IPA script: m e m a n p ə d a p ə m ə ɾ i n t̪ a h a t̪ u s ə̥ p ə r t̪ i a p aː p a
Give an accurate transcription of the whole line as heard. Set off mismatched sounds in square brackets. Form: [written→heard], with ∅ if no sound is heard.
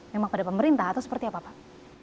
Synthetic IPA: m e m a [n→ŋ] p [ə→a] d a p ə m ə ɾ i n t̪ a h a t̪ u s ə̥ p ə r t̪ i a p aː p a